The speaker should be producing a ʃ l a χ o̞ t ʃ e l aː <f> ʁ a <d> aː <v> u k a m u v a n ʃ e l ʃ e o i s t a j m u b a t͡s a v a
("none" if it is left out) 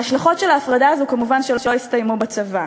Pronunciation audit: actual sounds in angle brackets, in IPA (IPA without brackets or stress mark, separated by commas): f, d, z